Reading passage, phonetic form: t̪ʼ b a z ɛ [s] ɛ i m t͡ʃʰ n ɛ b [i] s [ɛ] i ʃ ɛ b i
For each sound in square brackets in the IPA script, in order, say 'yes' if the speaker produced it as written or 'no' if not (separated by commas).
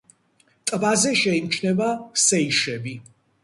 no, no, yes